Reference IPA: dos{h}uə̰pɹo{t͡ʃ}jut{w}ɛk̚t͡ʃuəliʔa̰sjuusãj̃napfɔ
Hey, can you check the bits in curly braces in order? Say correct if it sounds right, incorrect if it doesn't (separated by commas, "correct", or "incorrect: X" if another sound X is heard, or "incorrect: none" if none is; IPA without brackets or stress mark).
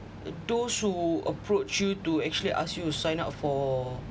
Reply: correct, correct, incorrect: u